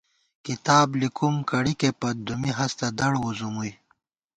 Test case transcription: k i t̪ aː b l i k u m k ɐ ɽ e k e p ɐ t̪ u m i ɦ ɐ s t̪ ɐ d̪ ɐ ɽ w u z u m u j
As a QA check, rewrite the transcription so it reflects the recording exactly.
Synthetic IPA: k i t̪ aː b l i k u m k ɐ ɽ i k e p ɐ d̪ u m i ɦ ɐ s t̪ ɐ d̪ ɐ ɽ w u z u m u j